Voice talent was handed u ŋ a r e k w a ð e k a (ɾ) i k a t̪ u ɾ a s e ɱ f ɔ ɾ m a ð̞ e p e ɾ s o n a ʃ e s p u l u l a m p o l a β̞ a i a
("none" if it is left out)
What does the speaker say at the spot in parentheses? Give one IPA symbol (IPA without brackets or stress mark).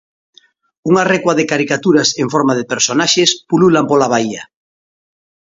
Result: ɾ